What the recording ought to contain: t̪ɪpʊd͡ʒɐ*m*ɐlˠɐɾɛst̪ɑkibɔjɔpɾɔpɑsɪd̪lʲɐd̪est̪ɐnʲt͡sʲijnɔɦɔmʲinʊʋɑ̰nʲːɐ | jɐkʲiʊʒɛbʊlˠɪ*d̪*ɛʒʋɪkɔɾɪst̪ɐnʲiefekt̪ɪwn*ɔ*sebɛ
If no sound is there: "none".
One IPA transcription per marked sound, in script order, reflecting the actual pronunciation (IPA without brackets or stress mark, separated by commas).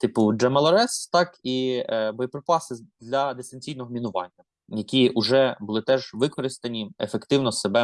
m, t̪, ɔ